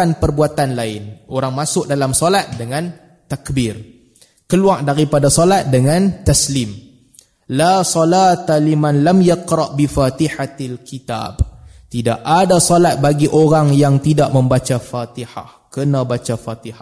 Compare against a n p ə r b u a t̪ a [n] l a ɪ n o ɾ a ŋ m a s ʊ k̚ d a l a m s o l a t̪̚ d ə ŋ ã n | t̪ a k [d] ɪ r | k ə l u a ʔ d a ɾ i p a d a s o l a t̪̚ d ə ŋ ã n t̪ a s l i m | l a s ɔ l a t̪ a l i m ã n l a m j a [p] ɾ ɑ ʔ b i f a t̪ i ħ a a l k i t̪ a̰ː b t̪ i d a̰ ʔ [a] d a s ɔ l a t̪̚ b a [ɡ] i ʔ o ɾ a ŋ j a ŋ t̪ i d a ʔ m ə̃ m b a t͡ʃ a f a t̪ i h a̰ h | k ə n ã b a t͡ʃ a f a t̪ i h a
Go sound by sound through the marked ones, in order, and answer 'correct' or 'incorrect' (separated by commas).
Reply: correct, incorrect, incorrect, correct, correct